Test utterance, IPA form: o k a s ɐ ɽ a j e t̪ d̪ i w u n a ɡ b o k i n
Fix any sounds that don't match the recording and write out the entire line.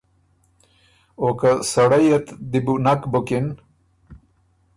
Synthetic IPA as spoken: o k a s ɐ ɽ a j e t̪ d̪ i b u n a k b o k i n